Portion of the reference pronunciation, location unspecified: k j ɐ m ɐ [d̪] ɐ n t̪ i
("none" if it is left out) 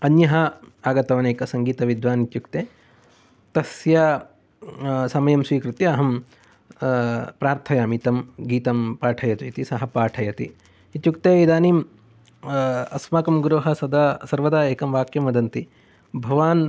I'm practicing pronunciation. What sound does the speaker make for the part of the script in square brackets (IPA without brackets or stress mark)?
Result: d̪